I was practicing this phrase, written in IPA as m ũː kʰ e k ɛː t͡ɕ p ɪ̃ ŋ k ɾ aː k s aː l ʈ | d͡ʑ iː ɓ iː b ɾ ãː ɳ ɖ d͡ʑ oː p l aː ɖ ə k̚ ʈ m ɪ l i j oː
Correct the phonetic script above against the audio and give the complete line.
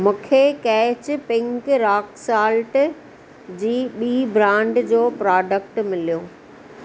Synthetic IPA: m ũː kʰ e k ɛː t͡ɕ p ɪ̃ ŋ k ɾ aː k s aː l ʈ | d͡ʑ iː ɓ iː b ɾ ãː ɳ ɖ d͡ʑ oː p ɾ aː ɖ ə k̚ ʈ m ɪ l i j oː